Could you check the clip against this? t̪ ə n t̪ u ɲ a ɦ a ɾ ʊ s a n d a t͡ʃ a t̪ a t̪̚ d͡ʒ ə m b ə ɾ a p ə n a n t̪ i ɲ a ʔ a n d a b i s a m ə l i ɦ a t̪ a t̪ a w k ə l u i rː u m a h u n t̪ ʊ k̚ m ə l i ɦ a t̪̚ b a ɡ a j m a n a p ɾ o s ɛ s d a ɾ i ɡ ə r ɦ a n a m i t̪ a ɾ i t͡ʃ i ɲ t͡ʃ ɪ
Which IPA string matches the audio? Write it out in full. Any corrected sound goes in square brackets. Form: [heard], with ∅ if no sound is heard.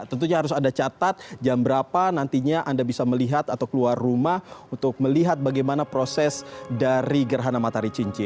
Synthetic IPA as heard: t̪ ə n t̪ u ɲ a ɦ a ɾ ʊ s a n d a t͡ʃ a t̪ a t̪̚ d͡ʒ [a] m b ə ɾ a p [a] n a n t̪ i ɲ a ʔ a n d a b i s a m ə l i ɦ a t̪ a t̪ a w k ə l u [a] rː u m a h u n t̪ ʊ k̚ m ə l i ɦ a t̪̚ b a ɡ a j m a n a p ɾ o s ɛ s d a ɾ i ɡ ə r ɦ a n a m [a] t̪ a ɾ i t͡ʃ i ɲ t͡ʃ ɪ